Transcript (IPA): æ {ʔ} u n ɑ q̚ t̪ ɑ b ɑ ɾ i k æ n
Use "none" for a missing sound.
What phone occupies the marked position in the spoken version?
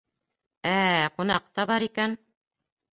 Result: q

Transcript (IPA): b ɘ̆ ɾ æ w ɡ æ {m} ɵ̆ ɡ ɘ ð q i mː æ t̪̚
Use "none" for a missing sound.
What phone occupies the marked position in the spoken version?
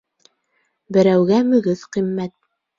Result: m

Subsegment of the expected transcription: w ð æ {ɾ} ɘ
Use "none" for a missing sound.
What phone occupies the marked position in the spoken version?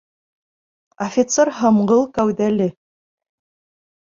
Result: l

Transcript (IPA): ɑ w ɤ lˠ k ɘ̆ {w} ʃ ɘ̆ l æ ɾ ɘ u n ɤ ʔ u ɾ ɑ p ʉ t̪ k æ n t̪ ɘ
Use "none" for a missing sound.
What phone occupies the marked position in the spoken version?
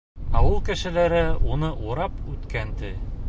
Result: none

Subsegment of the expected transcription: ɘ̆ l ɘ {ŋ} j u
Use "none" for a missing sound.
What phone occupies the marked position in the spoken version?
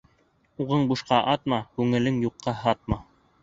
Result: ŋ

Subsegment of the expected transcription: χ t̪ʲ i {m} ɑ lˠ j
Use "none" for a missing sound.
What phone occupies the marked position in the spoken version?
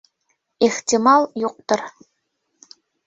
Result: m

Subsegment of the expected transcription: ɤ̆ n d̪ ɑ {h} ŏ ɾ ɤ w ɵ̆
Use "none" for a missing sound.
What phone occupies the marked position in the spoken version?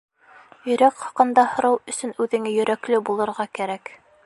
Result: h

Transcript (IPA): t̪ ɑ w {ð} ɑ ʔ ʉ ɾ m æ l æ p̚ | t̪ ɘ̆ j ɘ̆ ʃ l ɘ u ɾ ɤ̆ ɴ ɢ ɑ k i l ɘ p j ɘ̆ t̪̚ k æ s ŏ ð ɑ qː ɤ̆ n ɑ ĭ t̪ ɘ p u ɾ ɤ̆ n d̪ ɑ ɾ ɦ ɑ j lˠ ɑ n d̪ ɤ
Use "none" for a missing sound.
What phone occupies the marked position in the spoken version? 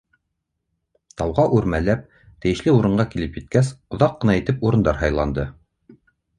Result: ʁ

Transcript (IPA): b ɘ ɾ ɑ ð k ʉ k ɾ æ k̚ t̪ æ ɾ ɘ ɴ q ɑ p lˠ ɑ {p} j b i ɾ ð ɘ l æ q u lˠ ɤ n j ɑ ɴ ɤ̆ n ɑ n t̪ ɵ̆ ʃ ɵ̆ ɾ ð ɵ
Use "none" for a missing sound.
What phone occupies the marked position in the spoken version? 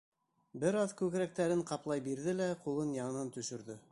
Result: none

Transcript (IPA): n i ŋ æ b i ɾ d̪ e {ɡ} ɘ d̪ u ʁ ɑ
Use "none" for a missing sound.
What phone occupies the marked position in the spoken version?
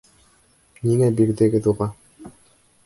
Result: ɡ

